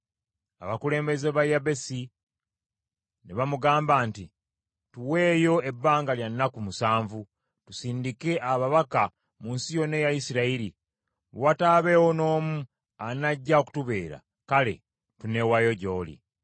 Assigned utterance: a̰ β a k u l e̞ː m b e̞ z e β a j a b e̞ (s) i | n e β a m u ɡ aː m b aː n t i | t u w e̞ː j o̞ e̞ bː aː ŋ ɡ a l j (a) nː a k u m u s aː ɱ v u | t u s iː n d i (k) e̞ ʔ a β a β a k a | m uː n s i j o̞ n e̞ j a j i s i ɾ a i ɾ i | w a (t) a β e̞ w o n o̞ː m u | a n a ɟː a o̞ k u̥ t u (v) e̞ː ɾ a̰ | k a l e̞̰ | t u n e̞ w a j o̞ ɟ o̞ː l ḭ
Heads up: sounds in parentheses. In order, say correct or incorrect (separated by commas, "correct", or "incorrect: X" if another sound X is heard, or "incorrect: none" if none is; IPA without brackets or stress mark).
correct, correct, correct, correct, incorrect: β